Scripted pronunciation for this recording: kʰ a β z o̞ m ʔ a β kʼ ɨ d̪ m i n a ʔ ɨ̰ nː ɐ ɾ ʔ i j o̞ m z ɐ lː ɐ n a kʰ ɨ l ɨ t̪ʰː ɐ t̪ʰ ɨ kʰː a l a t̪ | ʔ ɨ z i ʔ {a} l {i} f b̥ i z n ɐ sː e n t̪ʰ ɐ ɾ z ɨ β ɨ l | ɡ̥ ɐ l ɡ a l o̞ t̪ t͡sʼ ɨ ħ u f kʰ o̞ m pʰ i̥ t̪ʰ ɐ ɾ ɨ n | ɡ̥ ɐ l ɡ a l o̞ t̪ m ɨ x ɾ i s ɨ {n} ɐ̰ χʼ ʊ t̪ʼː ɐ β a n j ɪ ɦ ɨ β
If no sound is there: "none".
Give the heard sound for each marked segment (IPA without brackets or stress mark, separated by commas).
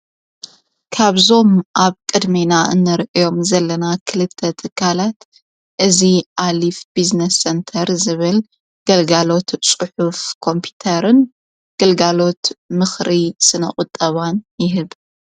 a, i, n